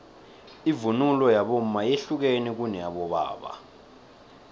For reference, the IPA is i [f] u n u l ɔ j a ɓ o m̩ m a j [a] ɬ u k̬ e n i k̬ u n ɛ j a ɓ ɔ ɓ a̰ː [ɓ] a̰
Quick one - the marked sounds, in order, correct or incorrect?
incorrect: v, incorrect: e, correct

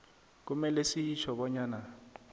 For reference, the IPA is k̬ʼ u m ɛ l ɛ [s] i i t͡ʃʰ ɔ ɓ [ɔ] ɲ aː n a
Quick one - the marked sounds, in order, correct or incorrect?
correct, correct

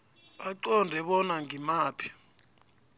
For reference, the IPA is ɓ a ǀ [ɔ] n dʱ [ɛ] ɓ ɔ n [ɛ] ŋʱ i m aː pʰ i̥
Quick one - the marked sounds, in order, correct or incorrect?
correct, correct, incorrect: a

